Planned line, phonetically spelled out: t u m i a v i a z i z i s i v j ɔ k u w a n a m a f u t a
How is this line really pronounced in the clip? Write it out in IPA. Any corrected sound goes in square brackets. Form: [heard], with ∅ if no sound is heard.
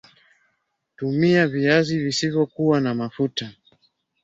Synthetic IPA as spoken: t u m i a v i a z i [v] i s i v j ɔ k u w a n a m a f u t a